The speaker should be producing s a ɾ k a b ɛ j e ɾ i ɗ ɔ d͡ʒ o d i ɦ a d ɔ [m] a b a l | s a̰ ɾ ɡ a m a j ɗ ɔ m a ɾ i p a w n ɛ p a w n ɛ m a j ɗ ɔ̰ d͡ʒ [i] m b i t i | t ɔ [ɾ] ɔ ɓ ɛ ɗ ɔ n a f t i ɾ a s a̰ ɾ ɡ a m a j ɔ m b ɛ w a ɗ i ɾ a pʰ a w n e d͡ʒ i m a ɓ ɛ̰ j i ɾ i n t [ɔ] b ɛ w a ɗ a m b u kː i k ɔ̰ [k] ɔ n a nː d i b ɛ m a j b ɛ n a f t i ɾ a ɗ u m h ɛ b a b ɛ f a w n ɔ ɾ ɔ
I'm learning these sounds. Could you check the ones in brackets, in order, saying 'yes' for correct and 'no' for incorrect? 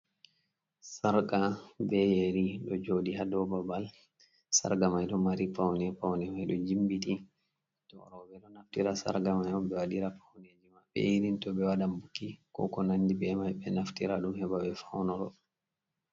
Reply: no, yes, yes, yes, yes

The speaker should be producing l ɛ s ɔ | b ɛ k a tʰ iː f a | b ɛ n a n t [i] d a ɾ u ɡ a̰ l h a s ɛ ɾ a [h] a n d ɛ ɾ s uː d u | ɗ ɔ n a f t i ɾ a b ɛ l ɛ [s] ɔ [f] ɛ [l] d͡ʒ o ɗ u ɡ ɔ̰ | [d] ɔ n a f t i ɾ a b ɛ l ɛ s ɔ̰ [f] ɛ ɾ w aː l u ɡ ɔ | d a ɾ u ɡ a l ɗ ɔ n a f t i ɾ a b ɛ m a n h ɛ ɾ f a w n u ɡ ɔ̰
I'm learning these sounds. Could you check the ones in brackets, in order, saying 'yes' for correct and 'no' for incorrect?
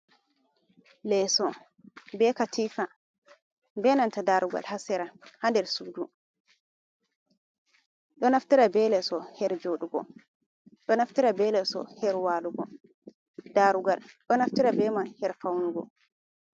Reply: no, yes, yes, no, no, no, no

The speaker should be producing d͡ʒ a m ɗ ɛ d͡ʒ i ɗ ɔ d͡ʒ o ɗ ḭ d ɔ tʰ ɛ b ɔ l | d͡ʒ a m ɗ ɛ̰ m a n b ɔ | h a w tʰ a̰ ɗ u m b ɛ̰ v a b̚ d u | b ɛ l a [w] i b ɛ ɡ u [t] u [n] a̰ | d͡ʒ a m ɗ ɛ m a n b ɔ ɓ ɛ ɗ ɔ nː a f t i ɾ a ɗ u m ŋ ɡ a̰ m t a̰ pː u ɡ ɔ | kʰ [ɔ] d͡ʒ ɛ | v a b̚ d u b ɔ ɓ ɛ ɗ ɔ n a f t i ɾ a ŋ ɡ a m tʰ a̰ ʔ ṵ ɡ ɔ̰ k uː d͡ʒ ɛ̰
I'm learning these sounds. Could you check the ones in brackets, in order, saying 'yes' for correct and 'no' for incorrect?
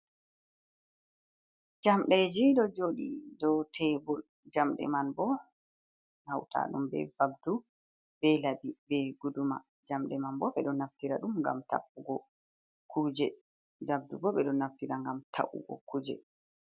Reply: no, no, no, no

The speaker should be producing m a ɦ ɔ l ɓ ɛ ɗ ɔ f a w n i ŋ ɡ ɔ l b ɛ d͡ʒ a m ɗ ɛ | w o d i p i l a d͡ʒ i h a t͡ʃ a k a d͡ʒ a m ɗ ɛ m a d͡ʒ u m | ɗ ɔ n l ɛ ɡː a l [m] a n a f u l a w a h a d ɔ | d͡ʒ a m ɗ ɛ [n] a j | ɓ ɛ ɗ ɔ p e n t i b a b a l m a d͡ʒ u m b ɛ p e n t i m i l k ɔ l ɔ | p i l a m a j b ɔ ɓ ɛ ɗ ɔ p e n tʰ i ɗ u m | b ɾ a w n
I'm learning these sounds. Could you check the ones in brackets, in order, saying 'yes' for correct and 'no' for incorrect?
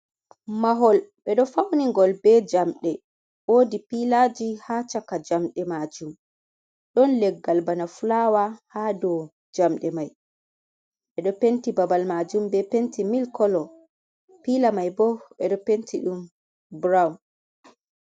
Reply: no, no

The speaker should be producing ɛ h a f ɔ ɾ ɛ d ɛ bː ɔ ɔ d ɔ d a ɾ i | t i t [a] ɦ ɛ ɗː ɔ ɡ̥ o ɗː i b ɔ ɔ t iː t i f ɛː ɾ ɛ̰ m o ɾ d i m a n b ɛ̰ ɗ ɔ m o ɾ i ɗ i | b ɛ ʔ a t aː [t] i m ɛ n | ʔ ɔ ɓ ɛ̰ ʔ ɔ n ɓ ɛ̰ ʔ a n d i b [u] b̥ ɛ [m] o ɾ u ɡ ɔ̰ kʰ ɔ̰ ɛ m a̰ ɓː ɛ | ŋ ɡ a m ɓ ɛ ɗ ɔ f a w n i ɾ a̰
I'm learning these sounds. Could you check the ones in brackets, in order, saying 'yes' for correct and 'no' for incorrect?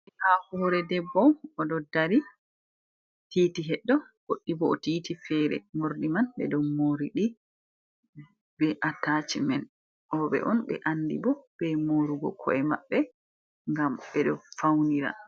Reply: no, no, no, yes

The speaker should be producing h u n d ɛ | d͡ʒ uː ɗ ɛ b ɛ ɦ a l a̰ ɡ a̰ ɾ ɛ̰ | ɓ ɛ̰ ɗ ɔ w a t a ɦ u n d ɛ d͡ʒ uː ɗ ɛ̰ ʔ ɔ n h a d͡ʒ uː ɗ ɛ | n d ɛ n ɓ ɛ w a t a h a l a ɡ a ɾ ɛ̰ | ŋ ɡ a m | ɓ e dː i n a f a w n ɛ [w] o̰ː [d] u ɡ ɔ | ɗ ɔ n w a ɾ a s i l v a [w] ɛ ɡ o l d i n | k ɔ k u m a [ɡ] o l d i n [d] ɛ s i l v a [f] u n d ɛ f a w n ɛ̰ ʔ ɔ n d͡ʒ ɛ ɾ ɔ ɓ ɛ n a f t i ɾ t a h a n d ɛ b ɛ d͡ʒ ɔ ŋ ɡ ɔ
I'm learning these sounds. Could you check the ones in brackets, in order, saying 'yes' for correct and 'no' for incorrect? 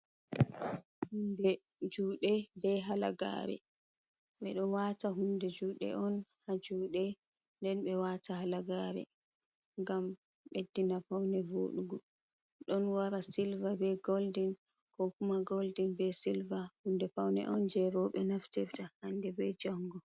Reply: no, no, no, yes, no, no

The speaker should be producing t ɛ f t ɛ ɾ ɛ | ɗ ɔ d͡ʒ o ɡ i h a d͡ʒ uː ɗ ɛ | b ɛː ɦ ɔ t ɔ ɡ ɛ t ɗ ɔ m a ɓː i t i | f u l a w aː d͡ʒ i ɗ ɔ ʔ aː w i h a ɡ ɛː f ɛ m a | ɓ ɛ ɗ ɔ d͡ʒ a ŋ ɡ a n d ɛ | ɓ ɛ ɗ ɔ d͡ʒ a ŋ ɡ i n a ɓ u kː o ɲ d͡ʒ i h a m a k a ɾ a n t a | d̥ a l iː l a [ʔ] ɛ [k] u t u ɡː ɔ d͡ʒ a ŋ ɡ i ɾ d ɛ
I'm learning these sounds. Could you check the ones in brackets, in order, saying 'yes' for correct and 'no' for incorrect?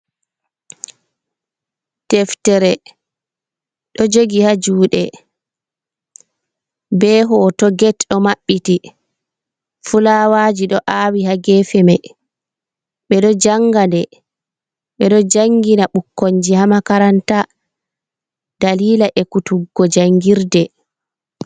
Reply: yes, yes

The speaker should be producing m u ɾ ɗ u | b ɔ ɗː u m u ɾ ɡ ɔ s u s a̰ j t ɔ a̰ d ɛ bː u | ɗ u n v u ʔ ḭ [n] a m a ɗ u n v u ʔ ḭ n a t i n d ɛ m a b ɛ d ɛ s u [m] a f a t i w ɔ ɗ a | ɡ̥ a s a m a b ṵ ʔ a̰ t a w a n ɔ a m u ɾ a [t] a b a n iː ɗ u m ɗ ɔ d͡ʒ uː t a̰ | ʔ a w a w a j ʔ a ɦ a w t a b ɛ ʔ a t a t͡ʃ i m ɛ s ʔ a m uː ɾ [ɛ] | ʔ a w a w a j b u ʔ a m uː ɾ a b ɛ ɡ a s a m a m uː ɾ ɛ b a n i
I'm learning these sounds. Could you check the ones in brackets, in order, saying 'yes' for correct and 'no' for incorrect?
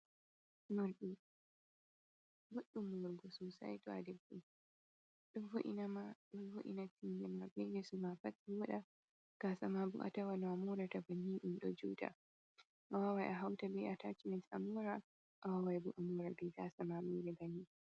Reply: yes, yes, yes, no

